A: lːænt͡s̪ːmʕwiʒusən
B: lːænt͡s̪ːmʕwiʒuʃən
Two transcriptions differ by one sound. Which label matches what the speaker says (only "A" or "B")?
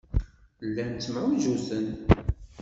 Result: A